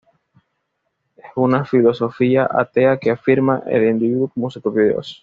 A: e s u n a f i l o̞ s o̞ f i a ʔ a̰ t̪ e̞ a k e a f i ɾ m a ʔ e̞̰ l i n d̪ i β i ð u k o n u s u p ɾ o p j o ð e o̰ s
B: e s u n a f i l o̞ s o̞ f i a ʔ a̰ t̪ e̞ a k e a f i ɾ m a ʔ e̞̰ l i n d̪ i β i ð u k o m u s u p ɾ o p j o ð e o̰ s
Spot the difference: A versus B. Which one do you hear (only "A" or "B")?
B